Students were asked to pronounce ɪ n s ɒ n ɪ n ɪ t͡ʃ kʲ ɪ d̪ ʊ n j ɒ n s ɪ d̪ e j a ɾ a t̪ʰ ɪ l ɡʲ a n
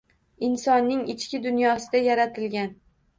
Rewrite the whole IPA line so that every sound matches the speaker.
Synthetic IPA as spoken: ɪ n s ɒ nː ɪ ŋ ɪ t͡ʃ kʲ ɪ d̪ ʊ n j ɒ s ɪ d̪ a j a ɾ a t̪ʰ ɪ l ɡʲ a n